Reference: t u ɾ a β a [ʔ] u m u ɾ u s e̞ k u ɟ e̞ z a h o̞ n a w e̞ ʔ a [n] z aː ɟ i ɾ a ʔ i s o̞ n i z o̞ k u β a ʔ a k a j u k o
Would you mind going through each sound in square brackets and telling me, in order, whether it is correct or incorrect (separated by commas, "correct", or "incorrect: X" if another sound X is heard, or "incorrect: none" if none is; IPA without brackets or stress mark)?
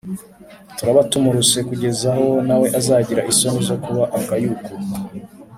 incorrect: t, incorrect: none